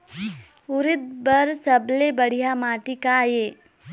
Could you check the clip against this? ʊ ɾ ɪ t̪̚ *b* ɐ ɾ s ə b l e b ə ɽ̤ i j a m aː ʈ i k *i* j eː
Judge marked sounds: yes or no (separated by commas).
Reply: yes, no